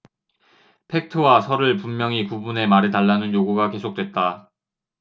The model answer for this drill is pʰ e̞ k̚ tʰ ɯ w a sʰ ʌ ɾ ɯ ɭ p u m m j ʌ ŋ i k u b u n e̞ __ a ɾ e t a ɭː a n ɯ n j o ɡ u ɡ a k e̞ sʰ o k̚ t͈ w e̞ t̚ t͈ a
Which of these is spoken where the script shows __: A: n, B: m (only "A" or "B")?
B